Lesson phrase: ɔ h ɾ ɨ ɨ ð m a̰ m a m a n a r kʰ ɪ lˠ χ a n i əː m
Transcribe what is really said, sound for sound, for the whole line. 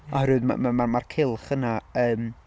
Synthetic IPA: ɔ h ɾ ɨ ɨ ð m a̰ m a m a m a r kʰ ɪ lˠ χ ə n a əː m